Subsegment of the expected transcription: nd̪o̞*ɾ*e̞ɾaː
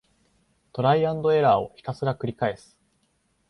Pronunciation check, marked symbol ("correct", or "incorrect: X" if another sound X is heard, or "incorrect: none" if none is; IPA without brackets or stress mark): incorrect: none